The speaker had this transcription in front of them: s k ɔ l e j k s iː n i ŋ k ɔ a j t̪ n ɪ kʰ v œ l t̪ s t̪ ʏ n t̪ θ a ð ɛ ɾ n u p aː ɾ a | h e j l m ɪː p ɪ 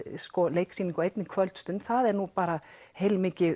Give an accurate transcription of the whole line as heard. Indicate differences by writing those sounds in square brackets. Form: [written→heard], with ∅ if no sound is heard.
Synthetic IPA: s k ɔ l e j k s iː n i ŋ k ɔ [a→e] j t̪ n ɪ kʰ v œ l t̪ s t̪ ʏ n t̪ θ a ð ɛ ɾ n u p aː ɾ a | h e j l m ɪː [p→c] ɪ